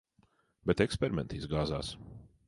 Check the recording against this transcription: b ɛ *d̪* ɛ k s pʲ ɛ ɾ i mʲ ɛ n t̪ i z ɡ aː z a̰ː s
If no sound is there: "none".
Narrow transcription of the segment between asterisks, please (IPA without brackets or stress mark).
t̪